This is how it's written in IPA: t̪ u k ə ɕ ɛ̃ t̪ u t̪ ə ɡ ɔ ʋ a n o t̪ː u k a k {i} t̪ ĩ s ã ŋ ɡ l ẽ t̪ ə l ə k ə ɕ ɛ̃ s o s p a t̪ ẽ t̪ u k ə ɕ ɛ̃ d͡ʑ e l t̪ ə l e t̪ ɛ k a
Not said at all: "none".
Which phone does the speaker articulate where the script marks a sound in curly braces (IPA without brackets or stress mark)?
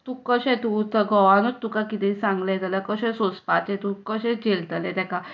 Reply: i